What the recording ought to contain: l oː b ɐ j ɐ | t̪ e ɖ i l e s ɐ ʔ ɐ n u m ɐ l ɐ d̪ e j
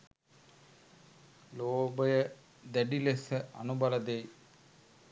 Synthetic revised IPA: l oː b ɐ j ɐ | d̪ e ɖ i l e s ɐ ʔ ɐ n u b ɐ l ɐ d̪ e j